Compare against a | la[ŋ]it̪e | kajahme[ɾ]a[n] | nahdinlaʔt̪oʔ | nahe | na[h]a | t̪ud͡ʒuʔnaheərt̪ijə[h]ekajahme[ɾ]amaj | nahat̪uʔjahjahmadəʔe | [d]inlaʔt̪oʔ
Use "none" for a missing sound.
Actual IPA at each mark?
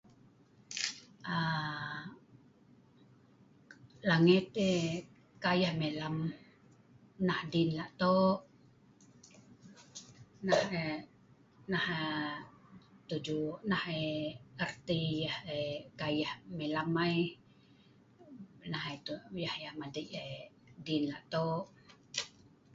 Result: ŋ, l, m, h, h, l, d

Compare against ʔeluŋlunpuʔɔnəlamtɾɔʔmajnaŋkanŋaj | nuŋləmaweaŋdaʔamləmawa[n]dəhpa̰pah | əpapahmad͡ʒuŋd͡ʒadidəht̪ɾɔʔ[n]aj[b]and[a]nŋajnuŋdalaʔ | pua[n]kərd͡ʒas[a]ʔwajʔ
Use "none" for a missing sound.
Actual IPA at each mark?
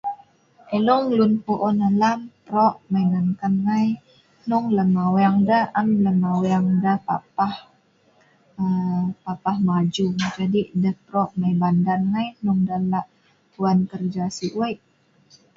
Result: ŋ, m, b, a, n, i

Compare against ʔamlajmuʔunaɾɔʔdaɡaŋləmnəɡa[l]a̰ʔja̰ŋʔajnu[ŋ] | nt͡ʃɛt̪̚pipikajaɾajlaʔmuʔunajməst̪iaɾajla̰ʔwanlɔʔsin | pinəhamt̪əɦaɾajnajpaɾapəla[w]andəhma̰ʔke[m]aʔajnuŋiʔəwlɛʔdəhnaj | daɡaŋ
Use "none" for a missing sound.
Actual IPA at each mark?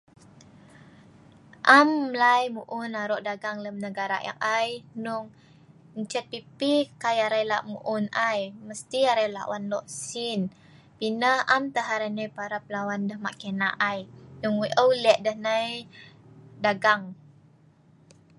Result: ɾ, ŋ, w, n

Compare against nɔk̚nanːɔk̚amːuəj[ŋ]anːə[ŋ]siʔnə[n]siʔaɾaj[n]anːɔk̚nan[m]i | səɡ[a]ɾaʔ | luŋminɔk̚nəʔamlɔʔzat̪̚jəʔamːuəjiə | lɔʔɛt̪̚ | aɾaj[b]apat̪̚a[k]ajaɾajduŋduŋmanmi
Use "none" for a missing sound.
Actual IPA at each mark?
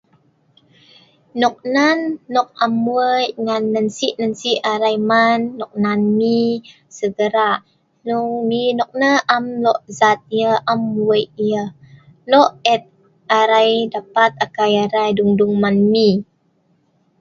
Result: ŋ, n, n, m, m, ə, d, k

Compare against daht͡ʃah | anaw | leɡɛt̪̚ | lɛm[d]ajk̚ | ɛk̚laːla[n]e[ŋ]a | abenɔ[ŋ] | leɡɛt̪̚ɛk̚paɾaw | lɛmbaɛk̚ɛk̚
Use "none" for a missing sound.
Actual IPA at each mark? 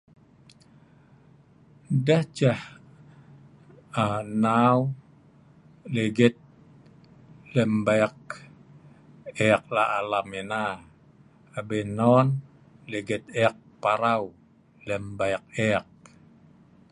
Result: b, m, n, n

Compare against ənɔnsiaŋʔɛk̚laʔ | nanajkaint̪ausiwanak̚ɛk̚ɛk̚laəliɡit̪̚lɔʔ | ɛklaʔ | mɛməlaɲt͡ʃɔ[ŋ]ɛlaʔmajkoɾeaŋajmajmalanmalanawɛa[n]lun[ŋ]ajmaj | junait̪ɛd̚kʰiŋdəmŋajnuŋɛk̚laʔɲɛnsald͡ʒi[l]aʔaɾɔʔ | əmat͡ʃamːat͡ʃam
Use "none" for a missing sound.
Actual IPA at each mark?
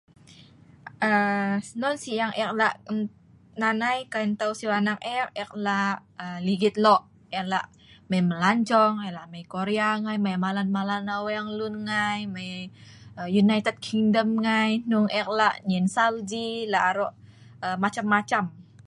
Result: ŋ, ŋ, ŋ, l

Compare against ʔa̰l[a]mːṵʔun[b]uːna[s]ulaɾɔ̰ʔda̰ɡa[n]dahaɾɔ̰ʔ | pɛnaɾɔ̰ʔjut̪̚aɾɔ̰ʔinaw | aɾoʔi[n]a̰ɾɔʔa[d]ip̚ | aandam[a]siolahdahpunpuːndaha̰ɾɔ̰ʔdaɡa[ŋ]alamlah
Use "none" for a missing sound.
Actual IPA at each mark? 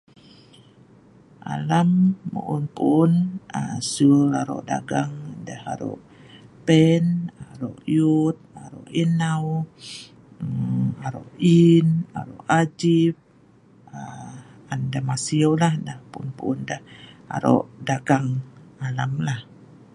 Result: a, p, s, ŋ, n, d͡ʒ, a, ŋ

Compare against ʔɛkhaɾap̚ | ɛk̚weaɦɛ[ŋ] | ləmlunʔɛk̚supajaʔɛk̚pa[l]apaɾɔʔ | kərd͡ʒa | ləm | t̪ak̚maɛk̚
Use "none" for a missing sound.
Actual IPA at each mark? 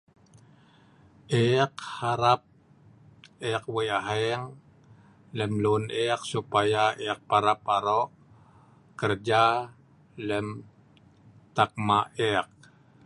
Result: ŋ, ɾ

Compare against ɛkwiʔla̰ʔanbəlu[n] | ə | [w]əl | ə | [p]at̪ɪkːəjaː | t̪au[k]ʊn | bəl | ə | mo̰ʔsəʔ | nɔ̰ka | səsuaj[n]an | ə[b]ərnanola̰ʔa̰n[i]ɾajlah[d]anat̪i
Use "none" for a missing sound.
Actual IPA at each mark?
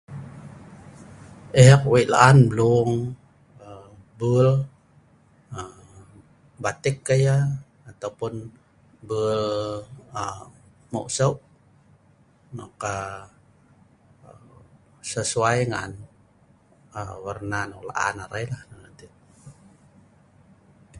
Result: ŋ, b, b, p, ŋ, w, a, n

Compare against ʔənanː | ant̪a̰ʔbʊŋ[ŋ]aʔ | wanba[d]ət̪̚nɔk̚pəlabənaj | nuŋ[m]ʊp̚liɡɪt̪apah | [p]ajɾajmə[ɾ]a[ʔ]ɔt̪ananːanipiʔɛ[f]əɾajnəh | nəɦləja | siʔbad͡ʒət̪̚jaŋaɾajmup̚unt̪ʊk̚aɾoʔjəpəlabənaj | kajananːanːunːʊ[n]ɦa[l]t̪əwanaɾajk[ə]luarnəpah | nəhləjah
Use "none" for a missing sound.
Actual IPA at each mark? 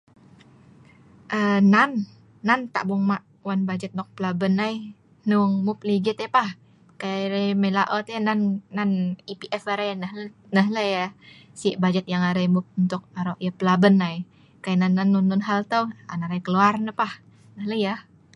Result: m, d͡ʒ, m, k, l, ʔ, f, n, l, ə

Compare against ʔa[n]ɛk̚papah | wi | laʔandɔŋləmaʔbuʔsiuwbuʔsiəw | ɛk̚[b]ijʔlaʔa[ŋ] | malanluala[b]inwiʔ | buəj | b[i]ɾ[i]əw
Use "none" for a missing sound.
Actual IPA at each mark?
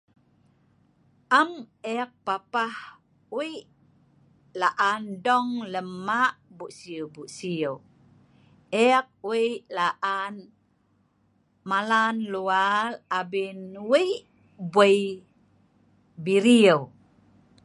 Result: m, w, n, b, i, i

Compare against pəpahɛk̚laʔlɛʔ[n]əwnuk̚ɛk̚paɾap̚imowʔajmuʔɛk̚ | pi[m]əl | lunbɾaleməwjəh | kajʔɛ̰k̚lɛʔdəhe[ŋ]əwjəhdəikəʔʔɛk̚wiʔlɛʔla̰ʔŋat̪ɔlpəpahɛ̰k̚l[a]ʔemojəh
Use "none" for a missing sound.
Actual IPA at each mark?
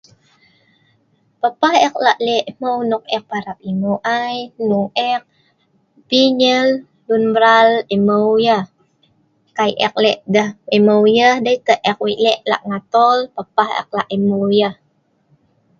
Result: m, ɲ, m, a

